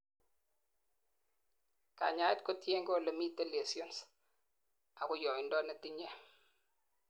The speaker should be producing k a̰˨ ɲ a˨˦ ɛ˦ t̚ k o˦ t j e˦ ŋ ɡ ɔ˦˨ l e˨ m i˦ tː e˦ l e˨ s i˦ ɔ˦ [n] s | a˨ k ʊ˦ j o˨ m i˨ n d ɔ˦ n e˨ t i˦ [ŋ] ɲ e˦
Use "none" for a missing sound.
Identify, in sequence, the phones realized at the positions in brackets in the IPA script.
n, none

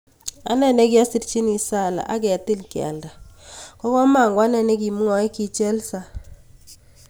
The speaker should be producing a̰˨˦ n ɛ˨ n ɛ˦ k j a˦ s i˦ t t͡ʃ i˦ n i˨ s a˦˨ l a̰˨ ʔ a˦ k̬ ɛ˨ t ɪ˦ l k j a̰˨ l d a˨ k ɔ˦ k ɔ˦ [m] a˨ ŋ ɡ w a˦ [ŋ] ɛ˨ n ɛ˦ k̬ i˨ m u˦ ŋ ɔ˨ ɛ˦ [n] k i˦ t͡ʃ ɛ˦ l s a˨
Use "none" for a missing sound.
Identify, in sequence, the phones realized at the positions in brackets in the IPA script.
m, n, none

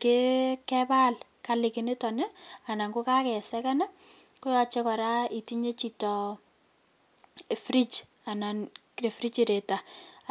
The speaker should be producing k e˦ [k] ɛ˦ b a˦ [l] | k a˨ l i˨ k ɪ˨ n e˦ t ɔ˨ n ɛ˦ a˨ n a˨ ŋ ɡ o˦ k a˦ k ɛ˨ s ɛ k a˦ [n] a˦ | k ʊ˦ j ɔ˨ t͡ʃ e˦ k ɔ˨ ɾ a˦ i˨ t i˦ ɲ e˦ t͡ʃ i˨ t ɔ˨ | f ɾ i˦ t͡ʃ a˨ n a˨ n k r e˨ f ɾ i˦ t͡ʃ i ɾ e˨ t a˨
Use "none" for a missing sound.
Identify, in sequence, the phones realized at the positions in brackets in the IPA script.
k, l, n

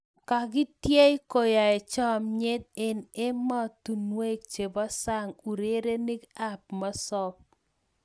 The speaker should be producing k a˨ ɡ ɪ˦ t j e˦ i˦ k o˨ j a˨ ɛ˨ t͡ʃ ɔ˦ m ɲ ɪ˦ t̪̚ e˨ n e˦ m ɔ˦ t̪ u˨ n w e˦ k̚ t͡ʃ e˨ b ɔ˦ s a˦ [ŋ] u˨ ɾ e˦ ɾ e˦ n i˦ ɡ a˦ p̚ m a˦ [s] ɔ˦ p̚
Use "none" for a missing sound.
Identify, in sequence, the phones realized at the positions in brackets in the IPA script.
ŋ, s

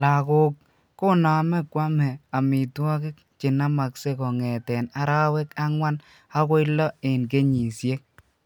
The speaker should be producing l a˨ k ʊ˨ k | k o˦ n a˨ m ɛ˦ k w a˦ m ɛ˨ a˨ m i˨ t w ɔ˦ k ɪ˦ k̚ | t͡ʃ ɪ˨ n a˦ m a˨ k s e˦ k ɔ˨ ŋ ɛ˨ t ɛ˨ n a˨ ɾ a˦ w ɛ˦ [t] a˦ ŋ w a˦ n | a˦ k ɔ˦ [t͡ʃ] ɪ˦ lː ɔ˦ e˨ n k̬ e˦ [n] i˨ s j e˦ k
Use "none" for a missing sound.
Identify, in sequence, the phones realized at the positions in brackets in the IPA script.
k, none, ɲ

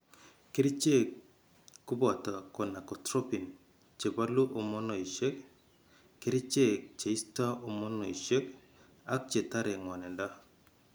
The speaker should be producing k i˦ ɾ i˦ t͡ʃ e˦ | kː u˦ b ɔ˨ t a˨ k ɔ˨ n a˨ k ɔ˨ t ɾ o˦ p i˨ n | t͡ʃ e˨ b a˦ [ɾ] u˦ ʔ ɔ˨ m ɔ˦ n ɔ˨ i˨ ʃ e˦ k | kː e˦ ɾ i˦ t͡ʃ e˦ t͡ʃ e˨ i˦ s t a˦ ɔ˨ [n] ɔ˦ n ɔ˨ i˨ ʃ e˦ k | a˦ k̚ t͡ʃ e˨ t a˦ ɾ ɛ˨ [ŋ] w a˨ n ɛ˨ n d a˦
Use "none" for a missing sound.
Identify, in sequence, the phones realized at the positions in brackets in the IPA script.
l, m, ŋ

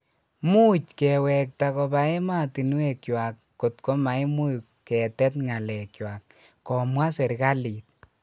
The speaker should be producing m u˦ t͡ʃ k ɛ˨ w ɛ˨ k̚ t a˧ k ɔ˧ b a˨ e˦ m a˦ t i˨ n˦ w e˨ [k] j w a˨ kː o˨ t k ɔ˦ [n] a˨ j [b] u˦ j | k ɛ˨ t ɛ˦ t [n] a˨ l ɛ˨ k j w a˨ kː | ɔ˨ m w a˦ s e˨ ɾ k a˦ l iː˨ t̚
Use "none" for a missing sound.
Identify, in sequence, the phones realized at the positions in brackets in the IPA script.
k, m, m, ŋ

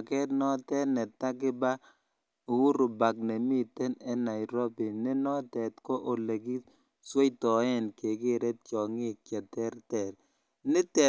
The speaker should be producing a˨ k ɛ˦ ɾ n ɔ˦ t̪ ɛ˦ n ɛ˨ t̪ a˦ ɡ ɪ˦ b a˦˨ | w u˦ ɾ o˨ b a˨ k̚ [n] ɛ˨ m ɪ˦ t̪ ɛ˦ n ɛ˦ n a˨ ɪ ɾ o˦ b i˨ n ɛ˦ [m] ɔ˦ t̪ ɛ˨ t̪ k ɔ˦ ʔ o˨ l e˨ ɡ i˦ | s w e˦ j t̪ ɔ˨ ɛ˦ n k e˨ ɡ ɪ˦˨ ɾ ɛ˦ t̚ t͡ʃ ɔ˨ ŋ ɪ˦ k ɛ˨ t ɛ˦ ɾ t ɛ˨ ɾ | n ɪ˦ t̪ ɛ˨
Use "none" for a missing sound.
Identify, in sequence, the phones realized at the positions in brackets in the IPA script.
n, n

